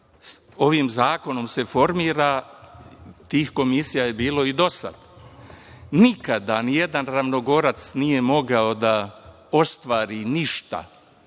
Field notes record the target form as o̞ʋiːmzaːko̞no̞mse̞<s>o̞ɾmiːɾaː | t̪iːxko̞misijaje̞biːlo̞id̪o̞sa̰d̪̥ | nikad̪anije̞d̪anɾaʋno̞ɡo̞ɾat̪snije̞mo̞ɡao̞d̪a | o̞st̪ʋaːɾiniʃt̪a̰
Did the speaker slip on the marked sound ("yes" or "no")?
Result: yes